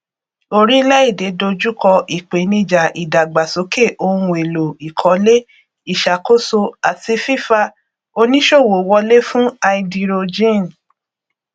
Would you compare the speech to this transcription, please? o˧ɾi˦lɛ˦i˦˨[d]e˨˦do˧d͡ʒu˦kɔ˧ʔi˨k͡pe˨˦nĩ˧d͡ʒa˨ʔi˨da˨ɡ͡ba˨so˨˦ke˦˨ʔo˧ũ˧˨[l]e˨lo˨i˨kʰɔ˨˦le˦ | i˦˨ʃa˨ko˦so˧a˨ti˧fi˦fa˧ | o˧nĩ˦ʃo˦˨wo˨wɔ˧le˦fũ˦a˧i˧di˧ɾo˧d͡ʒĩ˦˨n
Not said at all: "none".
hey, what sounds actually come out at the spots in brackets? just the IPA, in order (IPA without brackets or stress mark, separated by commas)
d, none